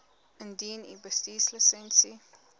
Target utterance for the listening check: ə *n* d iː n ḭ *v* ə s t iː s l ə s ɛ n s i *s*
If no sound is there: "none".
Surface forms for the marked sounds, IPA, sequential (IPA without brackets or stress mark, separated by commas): n, b, none